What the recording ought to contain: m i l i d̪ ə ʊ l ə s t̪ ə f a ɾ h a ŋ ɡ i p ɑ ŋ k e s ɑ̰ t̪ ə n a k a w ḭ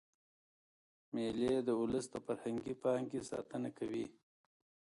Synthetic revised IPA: m e l e d̪ ə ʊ l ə s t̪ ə f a ɾ h a ŋ ɡ i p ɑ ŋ k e s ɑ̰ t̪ ə n a k a w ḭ